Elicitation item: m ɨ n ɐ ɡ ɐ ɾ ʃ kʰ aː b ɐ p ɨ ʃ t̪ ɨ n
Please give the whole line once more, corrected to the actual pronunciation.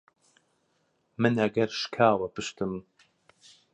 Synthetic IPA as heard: m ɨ n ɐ ɡ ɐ ɾ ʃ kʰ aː w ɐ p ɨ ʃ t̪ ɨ m